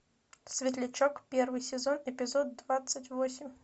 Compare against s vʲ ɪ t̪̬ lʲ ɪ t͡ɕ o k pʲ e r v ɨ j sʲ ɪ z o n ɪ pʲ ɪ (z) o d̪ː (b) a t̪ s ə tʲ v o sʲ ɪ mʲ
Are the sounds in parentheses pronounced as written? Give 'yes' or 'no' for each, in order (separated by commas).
yes, no